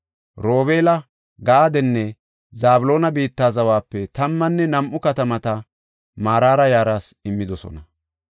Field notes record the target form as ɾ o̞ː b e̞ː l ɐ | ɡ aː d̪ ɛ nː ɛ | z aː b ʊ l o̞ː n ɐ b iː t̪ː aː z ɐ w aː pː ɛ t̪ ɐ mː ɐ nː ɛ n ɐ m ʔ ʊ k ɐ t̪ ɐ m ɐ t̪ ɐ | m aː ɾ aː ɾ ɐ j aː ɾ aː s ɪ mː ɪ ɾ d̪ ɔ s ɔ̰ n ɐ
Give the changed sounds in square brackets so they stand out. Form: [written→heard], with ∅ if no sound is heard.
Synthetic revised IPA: ɾ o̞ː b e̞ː l ɐ | ɡ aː d̪ ɛ nː ɛ | z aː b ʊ l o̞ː n ɐ b iː t̪ː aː z ɐ w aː pː ɛ t̪ ɐ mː ɐ nː ɛ n ɐ m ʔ ʊ k ɐ t̪ ɐ m ɐ t̪ ɐ | m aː ɾ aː ɾ ɐ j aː ɾ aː s ɪ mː ɪ [ɾ→∅] d̪ ɔ s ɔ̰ n ɐ

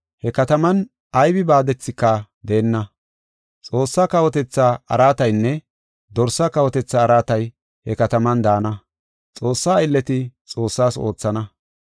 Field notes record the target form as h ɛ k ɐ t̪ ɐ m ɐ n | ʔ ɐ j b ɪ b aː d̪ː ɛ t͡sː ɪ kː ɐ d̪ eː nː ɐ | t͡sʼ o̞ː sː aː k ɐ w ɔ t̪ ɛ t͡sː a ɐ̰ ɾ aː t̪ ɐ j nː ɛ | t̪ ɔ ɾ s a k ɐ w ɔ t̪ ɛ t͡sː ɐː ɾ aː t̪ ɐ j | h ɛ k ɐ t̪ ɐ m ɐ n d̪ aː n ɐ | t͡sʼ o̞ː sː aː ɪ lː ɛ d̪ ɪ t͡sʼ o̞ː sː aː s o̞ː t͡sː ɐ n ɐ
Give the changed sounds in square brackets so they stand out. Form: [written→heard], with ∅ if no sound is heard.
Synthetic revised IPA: h ɛ k ɐ t̪ ɐ m ɐ n | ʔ ɐ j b ɪ b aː [d̪ː→d̪] ɛ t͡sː ɪ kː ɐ d̪ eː nː ɐ | t͡sʼ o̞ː sː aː k ɐ w ɔ t̪ ɛ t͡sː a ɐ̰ ɾ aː t̪ ɐ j nː ɛ | [t̪→d̪] ɔ ɾ s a k ɐ w ɔ t̪ ɛ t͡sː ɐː ɾ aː t̪ ɐ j | h ɛ k ɐ t̪ ɐ m ɐ n d̪ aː n ɐ | t͡sʼ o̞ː sː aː ɪ lː ɛ [d̪→t̪] ɪ t͡sʼ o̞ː sː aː s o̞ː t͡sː ɐ n ɐ

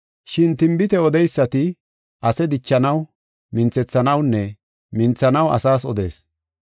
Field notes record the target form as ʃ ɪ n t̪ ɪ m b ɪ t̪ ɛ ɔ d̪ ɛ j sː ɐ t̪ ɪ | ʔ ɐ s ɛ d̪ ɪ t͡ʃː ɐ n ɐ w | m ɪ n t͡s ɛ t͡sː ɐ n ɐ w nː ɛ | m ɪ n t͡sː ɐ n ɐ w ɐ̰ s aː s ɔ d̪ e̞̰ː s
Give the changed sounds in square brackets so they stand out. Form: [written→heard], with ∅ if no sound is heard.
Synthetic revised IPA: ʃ ɪ n t̪ ɪ m b ɪ t̪ ɛ ɔ d̪ ɛ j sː ɐ t̪ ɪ | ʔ ɐ s ɛ d̪ ɪ t͡ʃː ɐ n ɐ w | m ɪ n t͡s ɛ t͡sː ɐ n ɐ w nː ɛ | m ɪ n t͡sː ɐ n ɐ w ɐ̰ s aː s ɔ d̪ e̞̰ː s

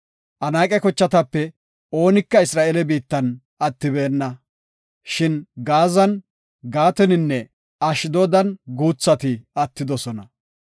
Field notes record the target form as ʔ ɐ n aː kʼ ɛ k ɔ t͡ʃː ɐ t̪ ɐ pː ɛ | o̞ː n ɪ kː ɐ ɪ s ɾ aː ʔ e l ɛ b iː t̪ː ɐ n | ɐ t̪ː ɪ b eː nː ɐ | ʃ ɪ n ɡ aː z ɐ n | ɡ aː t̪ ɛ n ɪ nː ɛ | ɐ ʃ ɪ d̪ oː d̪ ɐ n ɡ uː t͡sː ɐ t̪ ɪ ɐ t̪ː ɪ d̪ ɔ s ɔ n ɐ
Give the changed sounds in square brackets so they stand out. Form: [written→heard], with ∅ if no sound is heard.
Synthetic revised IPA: ʔ ɐ n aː kʼ ɛ k ɔ t͡ʃː ɐ t̪ ɐ pː ɛ | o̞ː n ɪ kː ɐ ɪ s ɾ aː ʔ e l ɛ b iː t̪ː ɐ n | ɐ t̪ː ɪ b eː nː ɐ | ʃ ɪ n ɡ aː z ɐ n | ɡ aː t̪ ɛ n ɪ nː ɛ | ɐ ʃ ɪ d̪ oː d̪ ɐ n ɡ uː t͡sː ɐ t̪ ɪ ɐ t̪ː ɪ d̪ ɔ s ɔ n ɐ

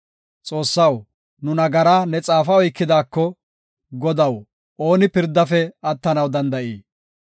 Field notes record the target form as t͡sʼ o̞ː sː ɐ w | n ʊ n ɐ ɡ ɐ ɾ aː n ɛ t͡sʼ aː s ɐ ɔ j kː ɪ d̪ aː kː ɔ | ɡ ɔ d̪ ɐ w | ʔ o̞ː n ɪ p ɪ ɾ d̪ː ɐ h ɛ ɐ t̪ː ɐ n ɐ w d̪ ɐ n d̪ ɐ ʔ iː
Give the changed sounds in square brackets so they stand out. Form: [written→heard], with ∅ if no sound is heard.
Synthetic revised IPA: t͡sʼ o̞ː sː ɐ w | n ʊ n ɐ ɡ ɐ ɾ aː n ɛ t͡sʼ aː [s→f] ɐ ɔ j kː ɪ d̪ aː kː ɔ | ɡ ɔ d̪ ɐ w | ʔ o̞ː n ɪ p ɪ ɾ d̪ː ɐ [h→f] ɛ ɐ t̪ː ɐ n ɐ w d̪ ɐ n d̪ ɐ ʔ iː

